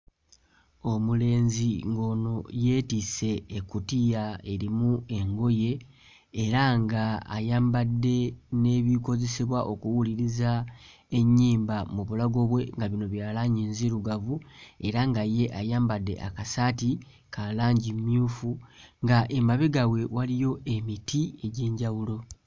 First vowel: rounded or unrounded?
rounded